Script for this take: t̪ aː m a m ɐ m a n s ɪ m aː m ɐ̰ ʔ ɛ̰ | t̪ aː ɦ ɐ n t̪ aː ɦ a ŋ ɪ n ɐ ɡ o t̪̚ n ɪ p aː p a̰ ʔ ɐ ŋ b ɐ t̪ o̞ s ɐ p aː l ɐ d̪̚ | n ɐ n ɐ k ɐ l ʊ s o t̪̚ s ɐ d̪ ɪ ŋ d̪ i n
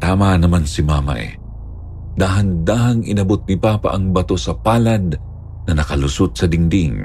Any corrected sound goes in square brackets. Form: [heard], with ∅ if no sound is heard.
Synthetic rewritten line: t̪ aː m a [n] ɐ m a n s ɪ m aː m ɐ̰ ʔ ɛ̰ | [d̪] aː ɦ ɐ n [d̪] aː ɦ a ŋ ɪ n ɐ [b] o t̪̚ n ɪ p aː p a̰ ʔ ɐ ŋ b ɐ t̪ o̞ s ɐ p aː l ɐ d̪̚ | n ɐ n ɐ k ɐ l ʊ s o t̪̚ s ɐ d̪ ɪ ŋ d̪ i [ŋ]